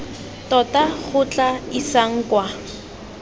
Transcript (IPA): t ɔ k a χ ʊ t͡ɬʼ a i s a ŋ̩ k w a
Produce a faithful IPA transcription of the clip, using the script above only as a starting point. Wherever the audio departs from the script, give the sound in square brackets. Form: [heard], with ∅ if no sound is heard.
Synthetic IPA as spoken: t ɔ [t] a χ ʊ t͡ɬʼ a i s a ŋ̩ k w a